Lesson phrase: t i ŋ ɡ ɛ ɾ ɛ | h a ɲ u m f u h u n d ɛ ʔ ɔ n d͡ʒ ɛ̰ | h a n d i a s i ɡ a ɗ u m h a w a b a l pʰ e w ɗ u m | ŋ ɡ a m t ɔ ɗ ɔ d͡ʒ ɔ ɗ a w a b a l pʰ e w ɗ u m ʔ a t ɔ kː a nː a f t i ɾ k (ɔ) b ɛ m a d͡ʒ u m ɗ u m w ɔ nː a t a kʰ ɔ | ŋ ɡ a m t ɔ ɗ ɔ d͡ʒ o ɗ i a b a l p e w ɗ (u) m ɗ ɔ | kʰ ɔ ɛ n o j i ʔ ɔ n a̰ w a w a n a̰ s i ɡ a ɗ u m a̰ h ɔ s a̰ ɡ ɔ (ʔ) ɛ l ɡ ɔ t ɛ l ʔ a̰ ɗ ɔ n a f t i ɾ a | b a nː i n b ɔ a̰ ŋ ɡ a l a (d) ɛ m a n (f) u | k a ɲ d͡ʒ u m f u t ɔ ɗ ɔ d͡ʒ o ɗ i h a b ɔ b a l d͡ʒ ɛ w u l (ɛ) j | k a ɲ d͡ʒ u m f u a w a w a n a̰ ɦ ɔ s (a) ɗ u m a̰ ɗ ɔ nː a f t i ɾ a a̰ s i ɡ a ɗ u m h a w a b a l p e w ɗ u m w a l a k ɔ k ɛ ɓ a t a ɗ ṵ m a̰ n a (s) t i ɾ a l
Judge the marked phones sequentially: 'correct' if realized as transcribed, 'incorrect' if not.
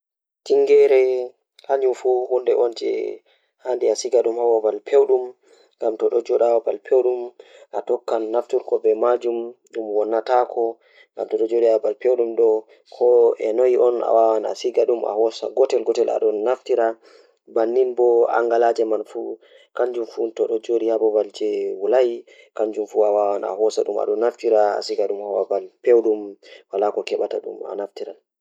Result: correct, correct, incorrect, incorrect, correct, incorrect, correct, incorrect

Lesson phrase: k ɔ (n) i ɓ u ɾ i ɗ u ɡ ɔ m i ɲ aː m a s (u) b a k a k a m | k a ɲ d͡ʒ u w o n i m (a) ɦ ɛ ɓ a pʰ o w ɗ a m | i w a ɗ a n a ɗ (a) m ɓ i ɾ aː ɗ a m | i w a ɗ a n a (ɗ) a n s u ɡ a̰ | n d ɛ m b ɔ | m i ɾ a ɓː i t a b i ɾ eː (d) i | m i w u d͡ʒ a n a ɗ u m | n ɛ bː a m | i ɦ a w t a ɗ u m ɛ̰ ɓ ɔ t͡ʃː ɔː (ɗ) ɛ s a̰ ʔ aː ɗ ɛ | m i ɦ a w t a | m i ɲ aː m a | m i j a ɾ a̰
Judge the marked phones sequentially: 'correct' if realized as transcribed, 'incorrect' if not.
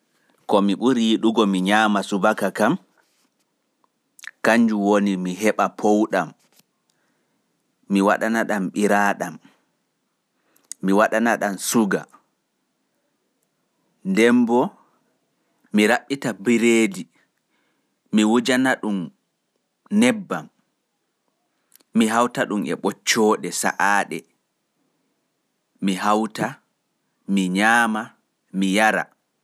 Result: incorrect, correct, incorrect, correct, correct, correct, correct

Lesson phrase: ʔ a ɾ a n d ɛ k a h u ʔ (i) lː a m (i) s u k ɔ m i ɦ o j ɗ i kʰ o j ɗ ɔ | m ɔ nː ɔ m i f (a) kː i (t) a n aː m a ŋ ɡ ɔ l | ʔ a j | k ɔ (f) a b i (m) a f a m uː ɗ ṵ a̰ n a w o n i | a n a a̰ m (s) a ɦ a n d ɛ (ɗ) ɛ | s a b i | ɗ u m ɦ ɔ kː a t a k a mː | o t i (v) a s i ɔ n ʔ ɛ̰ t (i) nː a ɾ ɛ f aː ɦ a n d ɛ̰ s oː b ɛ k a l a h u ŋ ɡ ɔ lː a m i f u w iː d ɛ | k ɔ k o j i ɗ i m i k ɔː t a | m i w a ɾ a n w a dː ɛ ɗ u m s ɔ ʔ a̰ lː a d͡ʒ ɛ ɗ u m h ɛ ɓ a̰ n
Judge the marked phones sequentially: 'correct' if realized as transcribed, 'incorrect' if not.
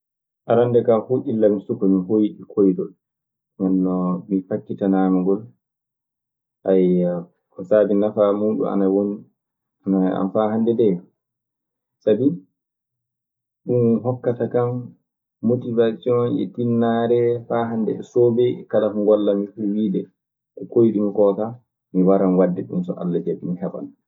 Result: correct, correct, correct, correct, incorrect, incorrect, incorrect, incorrect, correct, correct

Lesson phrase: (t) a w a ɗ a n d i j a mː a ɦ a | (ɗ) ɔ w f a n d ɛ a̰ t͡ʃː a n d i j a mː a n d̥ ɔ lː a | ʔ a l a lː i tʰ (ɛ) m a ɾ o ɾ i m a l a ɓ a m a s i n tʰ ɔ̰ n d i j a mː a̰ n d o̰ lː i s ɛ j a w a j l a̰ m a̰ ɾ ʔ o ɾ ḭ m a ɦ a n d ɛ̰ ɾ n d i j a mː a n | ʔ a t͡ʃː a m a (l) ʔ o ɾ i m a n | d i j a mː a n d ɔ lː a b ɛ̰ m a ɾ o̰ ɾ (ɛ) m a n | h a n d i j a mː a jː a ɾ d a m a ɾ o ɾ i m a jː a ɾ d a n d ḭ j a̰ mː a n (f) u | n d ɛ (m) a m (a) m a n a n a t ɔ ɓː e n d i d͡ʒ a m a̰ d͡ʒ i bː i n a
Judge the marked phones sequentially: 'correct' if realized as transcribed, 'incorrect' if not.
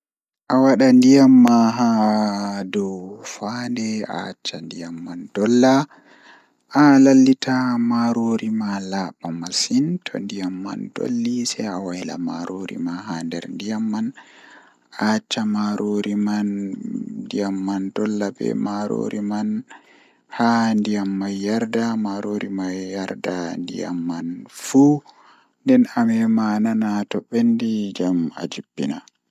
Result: incorrect, incorrect, incorrect, incorrect, incorrect, correct, incorrect, incorrect

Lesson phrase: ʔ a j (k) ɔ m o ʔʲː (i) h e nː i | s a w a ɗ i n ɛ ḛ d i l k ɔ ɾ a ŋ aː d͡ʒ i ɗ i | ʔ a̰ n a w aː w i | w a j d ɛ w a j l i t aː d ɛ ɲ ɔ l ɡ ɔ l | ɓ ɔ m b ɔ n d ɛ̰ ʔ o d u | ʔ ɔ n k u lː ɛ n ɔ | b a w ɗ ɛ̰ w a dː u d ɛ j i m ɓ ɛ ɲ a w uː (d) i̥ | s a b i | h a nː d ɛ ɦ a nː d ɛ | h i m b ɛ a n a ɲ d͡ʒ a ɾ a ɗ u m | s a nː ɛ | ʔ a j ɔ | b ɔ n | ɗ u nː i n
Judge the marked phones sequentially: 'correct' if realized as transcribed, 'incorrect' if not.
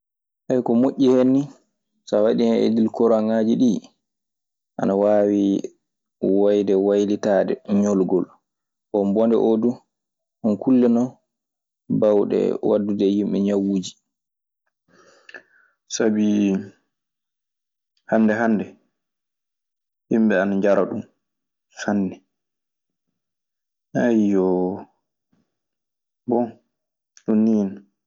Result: correct, correct, incorrect

